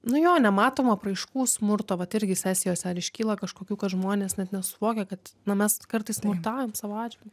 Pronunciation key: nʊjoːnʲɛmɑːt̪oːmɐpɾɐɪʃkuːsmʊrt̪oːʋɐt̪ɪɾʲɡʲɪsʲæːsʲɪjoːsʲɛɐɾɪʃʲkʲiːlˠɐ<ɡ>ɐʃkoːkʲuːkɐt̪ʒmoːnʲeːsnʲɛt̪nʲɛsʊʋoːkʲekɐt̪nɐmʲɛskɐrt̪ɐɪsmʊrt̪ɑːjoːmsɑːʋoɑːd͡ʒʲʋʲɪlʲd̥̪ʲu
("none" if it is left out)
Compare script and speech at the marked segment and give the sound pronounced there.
k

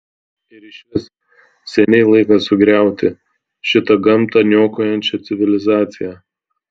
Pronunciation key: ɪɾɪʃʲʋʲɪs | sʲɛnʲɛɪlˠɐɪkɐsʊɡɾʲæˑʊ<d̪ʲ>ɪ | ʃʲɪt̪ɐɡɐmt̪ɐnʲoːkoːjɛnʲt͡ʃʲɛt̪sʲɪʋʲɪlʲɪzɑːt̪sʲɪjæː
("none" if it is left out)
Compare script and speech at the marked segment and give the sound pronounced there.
t̪ʲ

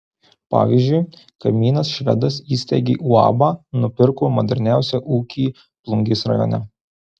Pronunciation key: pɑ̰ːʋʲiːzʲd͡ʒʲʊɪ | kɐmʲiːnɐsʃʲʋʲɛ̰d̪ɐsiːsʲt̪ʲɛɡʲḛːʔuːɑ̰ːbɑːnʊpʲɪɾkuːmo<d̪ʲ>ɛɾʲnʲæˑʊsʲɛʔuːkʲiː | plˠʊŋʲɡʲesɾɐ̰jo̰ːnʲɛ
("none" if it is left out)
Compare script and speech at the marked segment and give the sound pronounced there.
d̪ʲ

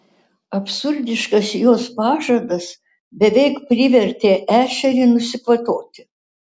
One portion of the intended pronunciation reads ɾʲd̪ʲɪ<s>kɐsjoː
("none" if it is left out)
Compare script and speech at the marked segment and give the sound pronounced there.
ʃ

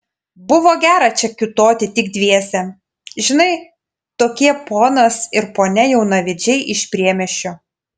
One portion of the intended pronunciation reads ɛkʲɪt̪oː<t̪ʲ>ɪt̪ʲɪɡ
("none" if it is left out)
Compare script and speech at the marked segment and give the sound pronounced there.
t̪ʲ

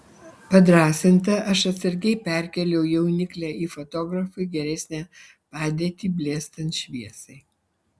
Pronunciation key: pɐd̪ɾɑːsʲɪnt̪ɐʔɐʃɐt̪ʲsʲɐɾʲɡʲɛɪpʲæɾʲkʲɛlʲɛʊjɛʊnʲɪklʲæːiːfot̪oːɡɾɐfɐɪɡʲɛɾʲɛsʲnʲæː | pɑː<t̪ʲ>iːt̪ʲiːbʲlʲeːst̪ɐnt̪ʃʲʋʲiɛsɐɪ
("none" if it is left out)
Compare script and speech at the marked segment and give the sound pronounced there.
d̪ʲ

